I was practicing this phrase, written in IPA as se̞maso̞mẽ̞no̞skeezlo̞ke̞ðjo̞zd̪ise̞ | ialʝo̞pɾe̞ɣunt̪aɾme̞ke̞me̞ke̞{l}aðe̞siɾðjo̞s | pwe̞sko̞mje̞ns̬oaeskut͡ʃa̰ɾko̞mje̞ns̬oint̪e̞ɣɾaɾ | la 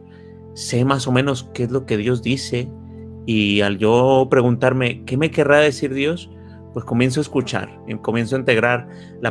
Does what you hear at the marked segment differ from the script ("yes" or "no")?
yes